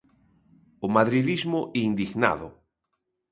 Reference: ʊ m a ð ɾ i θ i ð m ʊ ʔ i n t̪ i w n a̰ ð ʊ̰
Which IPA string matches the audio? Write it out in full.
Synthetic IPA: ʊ m a ð ɾ i ð i z m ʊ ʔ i n d̪ i ɣ n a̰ ð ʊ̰